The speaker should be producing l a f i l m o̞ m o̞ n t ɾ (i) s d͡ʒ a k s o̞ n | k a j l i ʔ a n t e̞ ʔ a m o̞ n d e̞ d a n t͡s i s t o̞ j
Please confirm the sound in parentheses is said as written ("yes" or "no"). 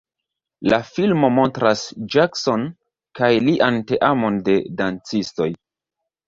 no